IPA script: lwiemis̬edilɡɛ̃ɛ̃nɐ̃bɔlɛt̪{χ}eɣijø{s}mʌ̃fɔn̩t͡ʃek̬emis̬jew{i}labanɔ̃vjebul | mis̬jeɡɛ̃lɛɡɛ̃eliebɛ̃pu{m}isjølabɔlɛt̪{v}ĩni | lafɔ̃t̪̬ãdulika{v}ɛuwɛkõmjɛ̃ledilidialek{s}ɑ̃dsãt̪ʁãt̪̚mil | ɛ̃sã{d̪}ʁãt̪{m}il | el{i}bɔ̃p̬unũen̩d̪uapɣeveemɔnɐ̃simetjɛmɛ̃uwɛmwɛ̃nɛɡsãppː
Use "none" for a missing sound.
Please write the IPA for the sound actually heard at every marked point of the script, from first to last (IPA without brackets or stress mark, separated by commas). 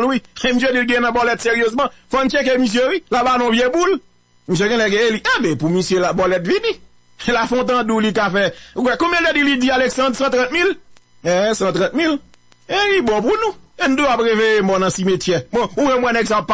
s, z, i, m, v, f, s, t̪, m, i